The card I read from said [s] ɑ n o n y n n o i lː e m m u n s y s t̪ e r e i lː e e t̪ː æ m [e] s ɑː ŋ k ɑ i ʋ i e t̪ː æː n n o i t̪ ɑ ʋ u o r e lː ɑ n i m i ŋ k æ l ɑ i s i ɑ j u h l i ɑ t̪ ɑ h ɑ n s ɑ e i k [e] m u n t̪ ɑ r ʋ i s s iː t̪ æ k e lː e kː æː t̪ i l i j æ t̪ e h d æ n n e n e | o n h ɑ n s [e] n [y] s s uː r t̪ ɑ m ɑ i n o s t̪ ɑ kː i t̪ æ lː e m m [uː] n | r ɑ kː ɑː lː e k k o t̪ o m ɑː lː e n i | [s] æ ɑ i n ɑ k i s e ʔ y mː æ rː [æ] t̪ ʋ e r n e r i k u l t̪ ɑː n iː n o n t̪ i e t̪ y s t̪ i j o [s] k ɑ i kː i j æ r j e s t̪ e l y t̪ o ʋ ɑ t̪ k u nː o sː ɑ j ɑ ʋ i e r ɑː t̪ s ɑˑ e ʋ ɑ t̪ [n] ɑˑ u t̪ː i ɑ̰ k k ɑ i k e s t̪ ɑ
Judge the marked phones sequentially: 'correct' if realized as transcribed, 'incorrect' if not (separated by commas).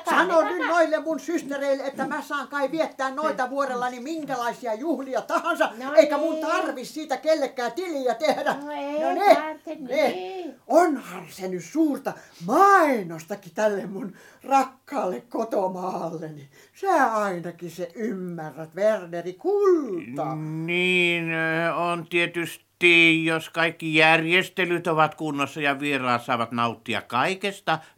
correct, incorrect, incorrect, correct, correct, incorrect, correct, correct, correct, correct